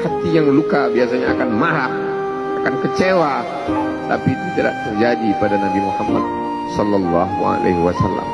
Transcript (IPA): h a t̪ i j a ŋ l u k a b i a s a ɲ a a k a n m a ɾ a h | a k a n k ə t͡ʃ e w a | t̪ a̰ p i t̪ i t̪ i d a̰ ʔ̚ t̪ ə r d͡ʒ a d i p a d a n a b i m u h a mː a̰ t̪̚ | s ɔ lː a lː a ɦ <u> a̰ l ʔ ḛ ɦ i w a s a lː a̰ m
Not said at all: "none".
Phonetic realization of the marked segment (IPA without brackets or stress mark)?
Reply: u